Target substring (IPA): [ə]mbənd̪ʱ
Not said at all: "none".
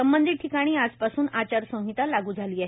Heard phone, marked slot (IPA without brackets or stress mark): ə